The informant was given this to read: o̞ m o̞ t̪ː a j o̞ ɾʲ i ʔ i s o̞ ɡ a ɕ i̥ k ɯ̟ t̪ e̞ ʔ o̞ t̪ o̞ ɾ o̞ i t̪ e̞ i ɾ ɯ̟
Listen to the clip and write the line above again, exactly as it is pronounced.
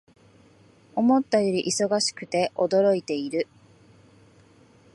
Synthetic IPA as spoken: o̞ m o̞ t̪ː a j o̞ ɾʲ i ʔ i s o̞ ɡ a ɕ i̥ k ɯ̟ t̪ e̞ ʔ o̞ d̪ o̞ ɾ o̞ i t̪ e̞ i ɾ ɯ̟